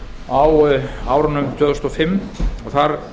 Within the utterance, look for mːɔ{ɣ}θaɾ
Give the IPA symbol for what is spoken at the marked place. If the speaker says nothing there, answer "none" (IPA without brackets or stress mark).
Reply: ɣ